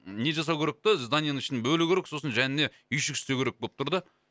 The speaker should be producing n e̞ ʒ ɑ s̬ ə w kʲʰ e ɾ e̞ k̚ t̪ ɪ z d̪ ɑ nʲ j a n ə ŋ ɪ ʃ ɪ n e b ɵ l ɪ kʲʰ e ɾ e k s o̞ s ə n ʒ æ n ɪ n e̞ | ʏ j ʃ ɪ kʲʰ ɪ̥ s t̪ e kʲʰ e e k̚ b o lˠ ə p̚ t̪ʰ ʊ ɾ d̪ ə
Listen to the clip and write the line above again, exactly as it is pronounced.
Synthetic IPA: n e̞ ʒ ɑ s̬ ɑ w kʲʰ e ɾ e̞ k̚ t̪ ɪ z d̪ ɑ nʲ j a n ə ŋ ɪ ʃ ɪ n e b ɵ l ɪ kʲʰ e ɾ e k s o̞ s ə n ʒ æ n ɪ n e̞ | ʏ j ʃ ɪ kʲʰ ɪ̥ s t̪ e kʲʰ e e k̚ b o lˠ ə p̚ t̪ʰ ʊ ɾ d̪ ə